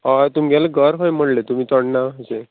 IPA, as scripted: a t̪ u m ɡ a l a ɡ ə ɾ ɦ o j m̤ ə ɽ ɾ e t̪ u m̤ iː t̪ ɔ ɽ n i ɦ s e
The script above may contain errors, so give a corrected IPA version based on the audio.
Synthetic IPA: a t̪ u m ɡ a l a ɡ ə ɾ ɦ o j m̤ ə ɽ l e t̪ u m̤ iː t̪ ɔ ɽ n a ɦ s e